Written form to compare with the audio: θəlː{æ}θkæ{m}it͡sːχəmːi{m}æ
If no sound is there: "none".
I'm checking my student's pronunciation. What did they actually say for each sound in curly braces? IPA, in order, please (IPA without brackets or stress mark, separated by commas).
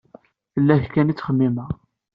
æ, n, m